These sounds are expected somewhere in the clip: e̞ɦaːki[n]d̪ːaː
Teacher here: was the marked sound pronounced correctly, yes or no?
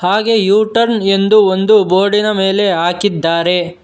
no